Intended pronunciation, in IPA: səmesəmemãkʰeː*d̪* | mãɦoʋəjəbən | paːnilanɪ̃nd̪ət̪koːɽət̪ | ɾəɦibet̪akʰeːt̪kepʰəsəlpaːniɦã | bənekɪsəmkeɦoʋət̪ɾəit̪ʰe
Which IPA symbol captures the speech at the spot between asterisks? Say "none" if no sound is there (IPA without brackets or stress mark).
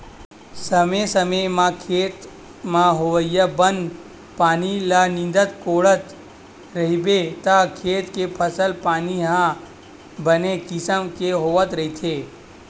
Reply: t̪